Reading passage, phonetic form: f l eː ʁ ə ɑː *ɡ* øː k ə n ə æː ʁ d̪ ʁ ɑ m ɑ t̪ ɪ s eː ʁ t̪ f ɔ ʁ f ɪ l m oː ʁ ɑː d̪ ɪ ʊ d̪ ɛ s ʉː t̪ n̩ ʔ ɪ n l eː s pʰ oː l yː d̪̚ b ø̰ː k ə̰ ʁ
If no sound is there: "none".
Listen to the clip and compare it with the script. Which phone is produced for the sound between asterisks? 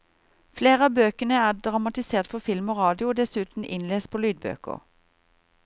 b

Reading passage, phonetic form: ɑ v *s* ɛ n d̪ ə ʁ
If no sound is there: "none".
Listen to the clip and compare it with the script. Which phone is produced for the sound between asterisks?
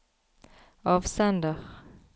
s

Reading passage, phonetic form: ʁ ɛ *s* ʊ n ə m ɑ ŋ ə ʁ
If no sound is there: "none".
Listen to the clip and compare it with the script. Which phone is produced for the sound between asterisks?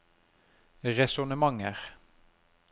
s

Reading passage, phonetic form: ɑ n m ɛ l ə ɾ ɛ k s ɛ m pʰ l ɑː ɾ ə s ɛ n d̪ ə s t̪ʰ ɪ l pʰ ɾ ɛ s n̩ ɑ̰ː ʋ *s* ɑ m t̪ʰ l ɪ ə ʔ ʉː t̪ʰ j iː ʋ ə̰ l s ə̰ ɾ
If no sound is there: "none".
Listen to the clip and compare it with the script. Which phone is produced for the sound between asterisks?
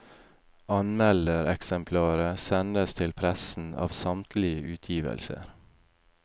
s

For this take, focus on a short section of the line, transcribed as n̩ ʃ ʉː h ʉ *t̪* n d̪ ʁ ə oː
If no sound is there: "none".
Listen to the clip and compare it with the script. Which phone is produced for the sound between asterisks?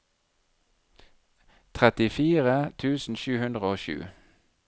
none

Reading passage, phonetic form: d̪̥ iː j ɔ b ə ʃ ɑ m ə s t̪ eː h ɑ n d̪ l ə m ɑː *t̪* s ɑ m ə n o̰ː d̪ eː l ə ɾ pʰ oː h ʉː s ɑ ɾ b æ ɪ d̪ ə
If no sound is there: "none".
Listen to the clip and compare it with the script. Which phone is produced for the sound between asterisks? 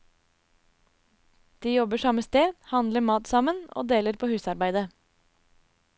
t̪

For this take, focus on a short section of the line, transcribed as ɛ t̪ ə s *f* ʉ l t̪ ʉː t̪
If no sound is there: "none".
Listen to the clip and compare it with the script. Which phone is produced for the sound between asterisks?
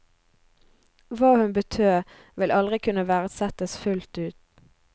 f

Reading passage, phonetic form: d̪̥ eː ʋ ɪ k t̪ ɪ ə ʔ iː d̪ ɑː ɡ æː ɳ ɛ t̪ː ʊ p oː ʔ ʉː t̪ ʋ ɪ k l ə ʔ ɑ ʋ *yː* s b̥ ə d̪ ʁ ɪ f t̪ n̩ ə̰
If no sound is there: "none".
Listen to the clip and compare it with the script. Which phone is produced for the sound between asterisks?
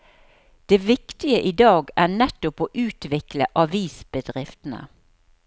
iː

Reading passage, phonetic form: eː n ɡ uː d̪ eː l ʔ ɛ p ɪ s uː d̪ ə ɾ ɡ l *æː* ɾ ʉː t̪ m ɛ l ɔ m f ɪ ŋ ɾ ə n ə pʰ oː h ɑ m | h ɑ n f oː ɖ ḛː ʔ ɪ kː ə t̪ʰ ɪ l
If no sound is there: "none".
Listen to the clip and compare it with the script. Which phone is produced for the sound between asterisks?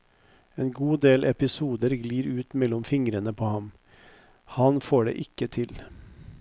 iː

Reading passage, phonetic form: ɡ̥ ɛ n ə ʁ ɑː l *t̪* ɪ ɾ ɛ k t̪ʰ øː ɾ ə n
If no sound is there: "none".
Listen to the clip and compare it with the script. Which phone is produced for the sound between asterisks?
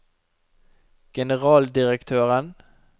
d̪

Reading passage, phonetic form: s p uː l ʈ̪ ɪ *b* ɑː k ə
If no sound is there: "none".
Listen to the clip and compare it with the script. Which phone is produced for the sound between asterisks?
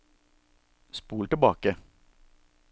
b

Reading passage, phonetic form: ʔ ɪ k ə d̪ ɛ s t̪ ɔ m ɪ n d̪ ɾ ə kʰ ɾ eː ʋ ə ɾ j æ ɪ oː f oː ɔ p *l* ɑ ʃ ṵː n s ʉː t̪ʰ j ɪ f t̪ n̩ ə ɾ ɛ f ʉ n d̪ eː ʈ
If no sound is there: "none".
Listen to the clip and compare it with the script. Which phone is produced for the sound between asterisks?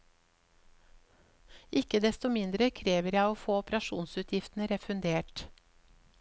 ɾ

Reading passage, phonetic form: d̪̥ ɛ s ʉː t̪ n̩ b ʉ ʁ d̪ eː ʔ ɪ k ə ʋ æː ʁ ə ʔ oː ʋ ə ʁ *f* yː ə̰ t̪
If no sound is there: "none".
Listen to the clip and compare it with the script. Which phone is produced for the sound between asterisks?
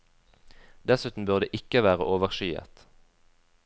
ʃ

